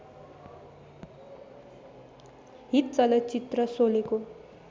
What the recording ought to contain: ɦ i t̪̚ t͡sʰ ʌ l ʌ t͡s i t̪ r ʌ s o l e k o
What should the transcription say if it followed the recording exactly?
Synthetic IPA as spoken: ɦ i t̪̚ t͡s ʌ l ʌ t͡s i t̪ r ʌ s o l e k o

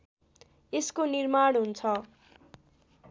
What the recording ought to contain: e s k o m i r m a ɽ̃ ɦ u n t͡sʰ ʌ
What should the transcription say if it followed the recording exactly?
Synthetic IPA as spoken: e s k o n i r m a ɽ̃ ɦ u n t͡sʰ ʌ

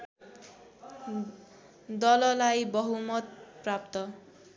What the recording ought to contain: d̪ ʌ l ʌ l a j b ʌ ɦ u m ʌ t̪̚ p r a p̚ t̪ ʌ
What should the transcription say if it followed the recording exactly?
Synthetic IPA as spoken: d̪ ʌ l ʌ l a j b ʌ ɦ u m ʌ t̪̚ p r a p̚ t̪ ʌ

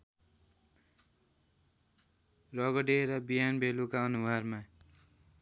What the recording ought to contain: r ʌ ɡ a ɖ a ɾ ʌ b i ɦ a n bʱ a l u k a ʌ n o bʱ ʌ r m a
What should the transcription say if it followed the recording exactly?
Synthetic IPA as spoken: r ʌ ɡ ʌ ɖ e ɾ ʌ b i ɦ a n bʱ e l u k a ʌ n u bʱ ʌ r m a

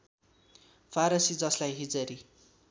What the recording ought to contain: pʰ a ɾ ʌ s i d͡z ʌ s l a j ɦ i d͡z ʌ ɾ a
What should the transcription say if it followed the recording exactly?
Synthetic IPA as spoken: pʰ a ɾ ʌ s i d͡z ʌ s l a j ɦ i d͡z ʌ ɾ i

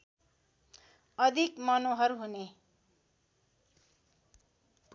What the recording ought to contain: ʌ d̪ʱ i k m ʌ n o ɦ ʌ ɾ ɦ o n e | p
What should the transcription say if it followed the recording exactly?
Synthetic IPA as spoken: ʌ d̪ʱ i k m ʌ n o ɦ ʌ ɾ ɦ u n e | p

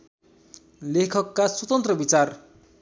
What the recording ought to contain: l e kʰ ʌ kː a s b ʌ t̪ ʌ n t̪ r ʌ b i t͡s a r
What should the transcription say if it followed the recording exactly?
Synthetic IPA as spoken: l e kʰ ʌ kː a s w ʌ t̪ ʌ n t̪ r ʌ b i t͡s a r

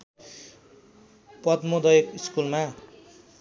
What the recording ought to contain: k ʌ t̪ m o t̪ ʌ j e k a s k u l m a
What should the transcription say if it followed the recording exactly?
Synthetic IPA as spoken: p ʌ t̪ m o d̪ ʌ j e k i s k u l m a

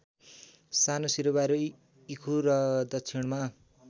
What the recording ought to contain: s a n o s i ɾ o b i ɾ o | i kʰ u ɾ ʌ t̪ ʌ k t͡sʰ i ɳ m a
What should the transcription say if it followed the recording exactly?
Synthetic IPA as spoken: s a n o s i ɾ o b a ɾ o | i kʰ u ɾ ʌ d̪ ʌ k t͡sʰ i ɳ m a

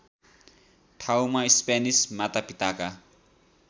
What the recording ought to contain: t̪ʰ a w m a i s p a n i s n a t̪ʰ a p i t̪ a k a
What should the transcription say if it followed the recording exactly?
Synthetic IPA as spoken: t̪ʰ a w m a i s p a n i s m a t̪ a p i t̪ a k a

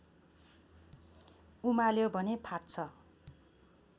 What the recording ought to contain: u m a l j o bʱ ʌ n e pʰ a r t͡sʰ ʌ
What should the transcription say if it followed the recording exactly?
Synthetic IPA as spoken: u m a l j o bʱ ʌ n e pʰ a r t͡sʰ ʌ

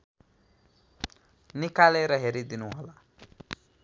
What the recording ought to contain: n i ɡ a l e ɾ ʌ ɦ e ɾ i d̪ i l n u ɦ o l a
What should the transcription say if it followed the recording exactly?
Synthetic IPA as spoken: n i k a l e ɾ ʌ ɦ e ɾ i d̪ i n u ɦ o l a

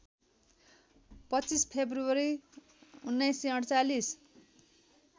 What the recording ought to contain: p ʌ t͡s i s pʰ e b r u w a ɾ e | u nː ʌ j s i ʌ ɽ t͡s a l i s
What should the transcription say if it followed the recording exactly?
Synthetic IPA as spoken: p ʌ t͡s i s pʰ e b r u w ʌ ɾ i | u nː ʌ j s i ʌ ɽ t͡s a l i s

